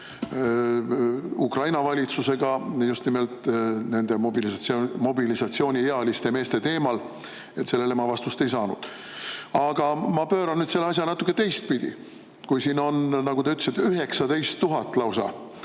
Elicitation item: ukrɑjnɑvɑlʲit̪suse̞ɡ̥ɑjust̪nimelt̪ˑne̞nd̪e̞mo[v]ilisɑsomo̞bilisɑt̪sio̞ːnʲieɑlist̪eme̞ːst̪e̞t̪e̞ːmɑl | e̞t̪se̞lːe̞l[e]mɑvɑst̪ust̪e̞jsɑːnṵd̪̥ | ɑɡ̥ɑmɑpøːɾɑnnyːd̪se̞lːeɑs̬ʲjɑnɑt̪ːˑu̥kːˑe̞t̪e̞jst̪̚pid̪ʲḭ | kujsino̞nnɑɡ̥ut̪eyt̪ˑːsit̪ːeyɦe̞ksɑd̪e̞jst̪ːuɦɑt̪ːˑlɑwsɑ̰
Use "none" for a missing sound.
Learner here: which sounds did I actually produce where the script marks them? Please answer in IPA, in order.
b, e

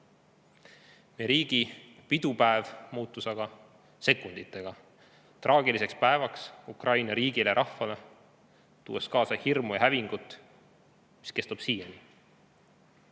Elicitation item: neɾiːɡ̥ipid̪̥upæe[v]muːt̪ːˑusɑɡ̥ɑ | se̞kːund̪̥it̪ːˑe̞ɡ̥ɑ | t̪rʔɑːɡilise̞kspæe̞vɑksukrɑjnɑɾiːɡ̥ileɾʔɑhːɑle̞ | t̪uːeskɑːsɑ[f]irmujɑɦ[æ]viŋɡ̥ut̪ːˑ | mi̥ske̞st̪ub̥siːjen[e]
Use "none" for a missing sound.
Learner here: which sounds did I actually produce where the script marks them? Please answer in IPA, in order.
v, h, æ, i

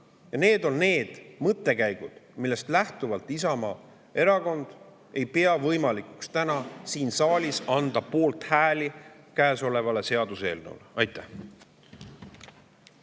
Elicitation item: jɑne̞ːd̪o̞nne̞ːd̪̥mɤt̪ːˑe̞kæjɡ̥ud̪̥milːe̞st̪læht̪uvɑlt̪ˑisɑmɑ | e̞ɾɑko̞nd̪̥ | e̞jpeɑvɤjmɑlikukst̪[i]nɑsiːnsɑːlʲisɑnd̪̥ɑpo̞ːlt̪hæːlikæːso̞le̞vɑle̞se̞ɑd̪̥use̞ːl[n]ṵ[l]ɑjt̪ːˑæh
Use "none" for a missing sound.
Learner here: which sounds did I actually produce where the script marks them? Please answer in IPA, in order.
æ, n, l

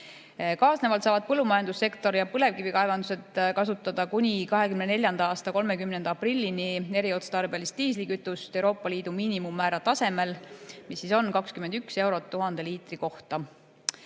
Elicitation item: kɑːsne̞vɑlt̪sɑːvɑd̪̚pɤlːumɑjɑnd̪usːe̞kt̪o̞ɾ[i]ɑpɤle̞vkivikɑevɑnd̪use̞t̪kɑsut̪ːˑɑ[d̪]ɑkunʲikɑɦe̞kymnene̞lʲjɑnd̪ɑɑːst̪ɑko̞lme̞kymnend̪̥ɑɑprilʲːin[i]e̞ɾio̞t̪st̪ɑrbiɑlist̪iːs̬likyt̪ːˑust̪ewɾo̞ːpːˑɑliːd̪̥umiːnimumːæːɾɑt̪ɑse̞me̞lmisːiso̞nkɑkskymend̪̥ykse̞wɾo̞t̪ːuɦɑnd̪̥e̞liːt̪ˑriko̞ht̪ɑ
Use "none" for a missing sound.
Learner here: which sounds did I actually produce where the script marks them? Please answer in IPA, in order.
j, d̪, i

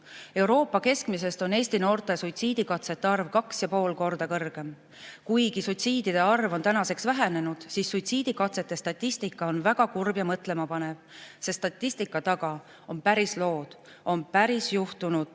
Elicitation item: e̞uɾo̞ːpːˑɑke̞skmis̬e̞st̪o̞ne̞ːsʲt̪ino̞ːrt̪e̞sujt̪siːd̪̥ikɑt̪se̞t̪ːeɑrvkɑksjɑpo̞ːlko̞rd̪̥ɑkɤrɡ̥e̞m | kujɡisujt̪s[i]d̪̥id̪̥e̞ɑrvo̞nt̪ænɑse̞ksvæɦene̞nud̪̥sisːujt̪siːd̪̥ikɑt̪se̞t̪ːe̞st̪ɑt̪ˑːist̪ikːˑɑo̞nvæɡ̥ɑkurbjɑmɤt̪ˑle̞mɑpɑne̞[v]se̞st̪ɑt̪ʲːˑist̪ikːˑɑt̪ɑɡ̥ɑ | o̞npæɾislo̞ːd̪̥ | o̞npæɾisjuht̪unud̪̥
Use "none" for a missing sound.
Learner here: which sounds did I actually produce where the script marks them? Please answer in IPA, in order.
iː, v

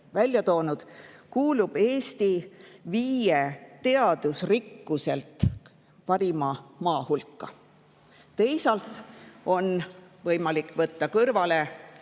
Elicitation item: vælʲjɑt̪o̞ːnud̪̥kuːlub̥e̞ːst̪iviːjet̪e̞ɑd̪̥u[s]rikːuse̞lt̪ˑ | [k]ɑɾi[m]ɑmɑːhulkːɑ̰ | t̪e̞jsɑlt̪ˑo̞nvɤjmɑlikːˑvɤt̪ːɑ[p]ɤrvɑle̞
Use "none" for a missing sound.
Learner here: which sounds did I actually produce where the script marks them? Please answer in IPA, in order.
s, p, m, k

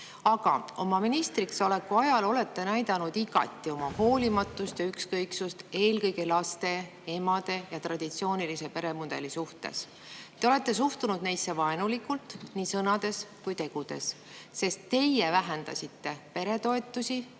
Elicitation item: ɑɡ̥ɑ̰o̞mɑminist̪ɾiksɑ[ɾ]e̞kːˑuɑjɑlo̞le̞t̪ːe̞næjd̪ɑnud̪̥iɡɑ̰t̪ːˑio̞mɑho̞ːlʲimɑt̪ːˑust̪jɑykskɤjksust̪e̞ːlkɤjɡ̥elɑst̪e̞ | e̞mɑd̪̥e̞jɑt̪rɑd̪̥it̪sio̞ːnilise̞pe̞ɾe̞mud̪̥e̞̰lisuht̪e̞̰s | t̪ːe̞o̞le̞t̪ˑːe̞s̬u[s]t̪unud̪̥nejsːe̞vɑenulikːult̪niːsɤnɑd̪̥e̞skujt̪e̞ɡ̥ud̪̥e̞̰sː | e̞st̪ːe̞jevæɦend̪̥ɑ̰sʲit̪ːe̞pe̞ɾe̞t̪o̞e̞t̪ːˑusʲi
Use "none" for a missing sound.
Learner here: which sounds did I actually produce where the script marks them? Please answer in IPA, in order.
l, h

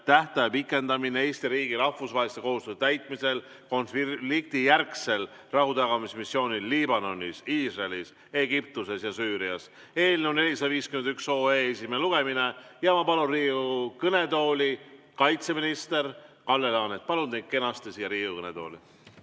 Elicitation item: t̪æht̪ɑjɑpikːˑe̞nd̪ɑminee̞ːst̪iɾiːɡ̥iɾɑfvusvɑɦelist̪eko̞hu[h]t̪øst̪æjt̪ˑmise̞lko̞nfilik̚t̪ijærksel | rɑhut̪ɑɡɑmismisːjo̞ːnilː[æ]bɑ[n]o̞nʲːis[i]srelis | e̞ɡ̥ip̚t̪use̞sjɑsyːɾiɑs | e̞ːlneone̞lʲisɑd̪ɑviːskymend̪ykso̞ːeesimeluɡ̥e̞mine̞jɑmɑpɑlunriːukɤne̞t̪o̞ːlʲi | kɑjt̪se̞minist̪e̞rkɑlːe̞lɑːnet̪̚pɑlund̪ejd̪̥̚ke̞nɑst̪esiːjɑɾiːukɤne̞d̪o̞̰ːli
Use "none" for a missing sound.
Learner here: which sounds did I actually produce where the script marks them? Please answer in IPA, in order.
s, i, n, iː

